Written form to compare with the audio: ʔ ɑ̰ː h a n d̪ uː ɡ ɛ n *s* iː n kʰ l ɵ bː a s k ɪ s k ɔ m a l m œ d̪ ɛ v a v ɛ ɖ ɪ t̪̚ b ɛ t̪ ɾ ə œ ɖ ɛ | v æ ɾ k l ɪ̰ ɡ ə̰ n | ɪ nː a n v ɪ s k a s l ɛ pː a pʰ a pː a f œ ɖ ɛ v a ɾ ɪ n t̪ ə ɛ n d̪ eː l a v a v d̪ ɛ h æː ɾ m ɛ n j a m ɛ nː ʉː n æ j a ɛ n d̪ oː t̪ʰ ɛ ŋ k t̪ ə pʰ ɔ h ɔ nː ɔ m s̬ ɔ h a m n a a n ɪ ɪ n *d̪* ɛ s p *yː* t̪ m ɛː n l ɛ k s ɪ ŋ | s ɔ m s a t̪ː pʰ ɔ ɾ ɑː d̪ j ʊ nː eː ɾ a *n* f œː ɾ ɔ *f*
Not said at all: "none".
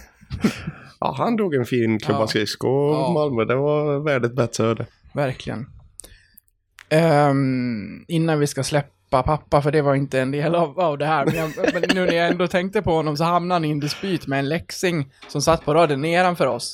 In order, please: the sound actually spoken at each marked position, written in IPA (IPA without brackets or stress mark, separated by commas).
f, d̪, yː, n, s